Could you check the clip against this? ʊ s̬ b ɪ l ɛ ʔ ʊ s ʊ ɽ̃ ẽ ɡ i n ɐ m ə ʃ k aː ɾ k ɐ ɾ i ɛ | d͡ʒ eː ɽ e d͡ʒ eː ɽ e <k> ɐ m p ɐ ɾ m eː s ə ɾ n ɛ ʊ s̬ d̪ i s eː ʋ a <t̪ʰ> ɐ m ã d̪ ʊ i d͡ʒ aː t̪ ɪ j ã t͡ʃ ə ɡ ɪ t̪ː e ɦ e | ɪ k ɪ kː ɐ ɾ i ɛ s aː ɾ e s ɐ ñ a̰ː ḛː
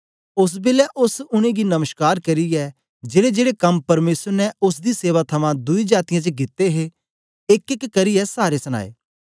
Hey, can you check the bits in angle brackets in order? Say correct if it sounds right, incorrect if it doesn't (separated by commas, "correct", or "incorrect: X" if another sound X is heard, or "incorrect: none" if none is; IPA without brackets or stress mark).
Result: correct, correct